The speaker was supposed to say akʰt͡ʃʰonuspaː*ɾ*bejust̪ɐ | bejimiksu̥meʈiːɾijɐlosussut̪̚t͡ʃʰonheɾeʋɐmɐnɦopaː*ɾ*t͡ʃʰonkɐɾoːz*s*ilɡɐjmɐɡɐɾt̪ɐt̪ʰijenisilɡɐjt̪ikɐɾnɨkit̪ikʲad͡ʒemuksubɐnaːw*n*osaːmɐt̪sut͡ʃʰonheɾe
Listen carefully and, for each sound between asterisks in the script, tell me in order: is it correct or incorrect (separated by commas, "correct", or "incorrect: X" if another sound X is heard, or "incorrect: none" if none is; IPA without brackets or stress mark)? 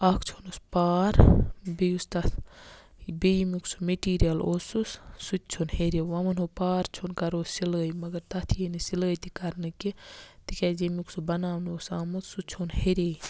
correct, correct, correct, correct